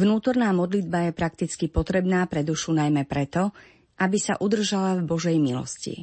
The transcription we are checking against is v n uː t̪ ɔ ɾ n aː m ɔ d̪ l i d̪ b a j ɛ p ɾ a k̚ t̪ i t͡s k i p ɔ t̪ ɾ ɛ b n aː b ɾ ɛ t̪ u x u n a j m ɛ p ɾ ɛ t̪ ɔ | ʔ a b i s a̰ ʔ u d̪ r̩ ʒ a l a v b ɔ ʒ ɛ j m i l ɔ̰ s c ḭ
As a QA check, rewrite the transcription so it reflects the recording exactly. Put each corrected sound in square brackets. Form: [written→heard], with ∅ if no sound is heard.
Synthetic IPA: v n uː t̪ ɔ ɾ n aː m ɔ d̪ l i d̪ b a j ɛ p ɾ a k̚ t̪ i t͡s k i p ɔ t̪ ɾ ɛ b n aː [b→p] ɾ ɛ [t̪→d̪] u [x→ʃ] u n a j m ɛ p ɾ ɛ t̪ ɔ | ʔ a b i s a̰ ʔ u d̪ r̩ ʒ a l a v b ɔ ʒ ɛ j m i l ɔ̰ s c ḭ